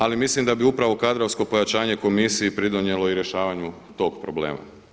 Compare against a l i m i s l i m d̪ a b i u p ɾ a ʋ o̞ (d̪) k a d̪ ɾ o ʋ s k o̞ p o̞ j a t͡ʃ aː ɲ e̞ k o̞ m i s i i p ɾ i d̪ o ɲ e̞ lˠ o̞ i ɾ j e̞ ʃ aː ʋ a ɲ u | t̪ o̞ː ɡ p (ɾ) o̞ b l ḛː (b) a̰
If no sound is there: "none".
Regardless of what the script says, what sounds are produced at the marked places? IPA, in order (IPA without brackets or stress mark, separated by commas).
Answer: none, ɾ, m